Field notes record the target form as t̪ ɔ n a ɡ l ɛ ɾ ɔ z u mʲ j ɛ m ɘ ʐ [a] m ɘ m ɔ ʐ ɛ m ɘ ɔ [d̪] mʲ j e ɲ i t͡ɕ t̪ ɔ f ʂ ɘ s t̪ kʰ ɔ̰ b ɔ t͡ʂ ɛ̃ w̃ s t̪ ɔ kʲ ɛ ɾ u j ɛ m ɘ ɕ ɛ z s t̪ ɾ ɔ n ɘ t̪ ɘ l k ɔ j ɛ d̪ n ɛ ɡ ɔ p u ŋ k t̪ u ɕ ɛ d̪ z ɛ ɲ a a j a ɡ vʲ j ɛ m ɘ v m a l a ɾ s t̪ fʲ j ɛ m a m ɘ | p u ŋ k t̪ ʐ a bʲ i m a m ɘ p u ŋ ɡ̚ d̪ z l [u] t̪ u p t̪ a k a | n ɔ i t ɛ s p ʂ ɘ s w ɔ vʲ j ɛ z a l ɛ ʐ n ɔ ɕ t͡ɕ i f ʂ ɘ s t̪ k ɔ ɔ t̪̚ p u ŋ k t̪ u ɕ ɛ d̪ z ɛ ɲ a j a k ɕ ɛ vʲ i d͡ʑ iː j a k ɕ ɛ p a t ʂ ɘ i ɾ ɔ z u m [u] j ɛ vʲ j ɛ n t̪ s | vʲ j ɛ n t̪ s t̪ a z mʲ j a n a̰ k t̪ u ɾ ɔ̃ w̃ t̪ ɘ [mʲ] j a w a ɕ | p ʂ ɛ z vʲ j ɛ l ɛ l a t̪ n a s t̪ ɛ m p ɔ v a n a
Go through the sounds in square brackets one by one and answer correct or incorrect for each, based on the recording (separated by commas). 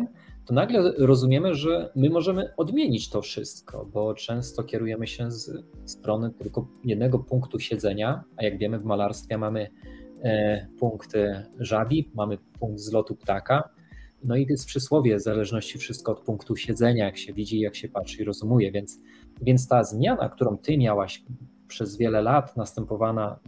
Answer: incorrect, correct, incorrect, correct, correct